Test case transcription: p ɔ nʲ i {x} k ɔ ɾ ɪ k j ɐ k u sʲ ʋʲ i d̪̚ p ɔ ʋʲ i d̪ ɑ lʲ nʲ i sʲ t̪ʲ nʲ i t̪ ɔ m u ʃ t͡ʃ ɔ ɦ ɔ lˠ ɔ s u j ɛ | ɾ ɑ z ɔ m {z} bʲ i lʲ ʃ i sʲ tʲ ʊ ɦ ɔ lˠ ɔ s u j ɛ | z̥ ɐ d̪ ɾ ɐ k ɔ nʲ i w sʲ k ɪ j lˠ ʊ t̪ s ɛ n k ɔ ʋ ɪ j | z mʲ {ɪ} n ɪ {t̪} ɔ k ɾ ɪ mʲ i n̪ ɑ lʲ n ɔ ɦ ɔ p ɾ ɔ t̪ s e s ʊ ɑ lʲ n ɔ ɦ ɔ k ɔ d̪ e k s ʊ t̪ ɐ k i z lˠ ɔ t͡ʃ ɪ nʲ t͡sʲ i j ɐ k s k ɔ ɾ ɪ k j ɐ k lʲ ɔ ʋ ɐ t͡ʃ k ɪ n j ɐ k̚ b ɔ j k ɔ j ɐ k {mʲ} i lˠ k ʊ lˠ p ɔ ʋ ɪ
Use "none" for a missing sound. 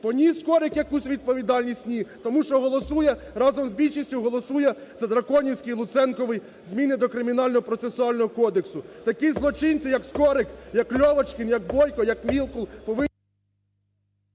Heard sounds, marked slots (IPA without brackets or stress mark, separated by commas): s, z, i, d̪, mʲ